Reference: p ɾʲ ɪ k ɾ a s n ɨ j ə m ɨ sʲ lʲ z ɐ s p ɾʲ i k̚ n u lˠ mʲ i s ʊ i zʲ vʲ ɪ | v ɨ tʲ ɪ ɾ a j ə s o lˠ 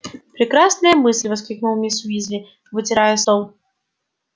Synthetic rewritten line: p ɾʲ ɪ k ɾ a s n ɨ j ə m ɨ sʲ lʲ v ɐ s k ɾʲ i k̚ n u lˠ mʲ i s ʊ i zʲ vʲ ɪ | v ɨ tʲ ɪ ɾ a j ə s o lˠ